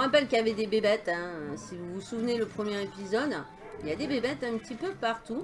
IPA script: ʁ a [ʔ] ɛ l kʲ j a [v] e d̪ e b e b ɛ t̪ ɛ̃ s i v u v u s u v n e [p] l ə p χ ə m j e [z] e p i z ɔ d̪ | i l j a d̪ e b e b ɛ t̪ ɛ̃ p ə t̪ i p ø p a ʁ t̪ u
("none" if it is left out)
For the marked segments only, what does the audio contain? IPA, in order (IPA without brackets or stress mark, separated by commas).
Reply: p, v, none, ʁ